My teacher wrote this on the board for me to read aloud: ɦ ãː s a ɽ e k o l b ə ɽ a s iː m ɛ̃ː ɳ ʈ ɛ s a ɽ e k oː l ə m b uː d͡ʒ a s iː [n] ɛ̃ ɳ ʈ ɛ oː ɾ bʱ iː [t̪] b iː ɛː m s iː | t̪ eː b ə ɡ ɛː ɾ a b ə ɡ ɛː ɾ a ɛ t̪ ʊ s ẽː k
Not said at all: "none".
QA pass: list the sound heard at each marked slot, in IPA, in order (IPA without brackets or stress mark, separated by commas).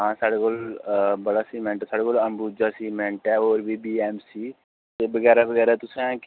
m, none